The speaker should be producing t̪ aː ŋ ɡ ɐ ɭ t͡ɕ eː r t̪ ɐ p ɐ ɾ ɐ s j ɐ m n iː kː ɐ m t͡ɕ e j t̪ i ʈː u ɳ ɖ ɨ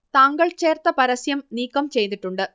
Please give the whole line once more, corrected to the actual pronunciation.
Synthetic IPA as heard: t̪ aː ŋ ɡ ɐ ɭ t͡ɕ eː r t̪ ɐ p ɐ ɾ ɐ s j ɐ m n iː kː ɐ m t͡ɕ e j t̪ i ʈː u ɳ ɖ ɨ